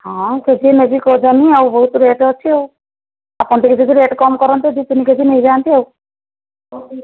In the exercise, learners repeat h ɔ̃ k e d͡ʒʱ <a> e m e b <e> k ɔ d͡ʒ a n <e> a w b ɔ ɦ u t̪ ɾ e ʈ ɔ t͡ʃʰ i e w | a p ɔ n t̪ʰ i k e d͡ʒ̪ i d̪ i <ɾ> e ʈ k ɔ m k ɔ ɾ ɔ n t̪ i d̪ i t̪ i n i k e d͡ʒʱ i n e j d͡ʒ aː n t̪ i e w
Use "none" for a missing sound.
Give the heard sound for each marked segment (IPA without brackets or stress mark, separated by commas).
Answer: i, i, i, ɾ